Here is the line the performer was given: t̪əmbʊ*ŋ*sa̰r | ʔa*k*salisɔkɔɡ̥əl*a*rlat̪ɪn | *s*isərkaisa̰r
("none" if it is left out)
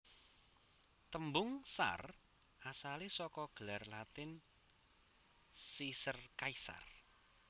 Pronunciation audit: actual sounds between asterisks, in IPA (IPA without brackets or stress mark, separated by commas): ŋ, none, a, s